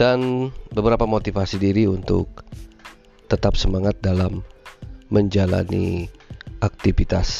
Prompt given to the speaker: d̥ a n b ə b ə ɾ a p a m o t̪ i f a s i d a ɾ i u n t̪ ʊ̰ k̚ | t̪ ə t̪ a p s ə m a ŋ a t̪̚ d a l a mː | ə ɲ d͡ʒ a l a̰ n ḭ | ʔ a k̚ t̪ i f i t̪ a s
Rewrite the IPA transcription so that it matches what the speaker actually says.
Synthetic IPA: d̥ a n b ə b ə ɾ a p a m o t̪ i f a s i d i ɾ i u n t̪ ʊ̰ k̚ | t̪ ə t̪ a p s ə m a ŋ a t̪̚ d a l a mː | ə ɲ d͡ʒ a l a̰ n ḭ | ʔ a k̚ t̪ i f i t̪ a s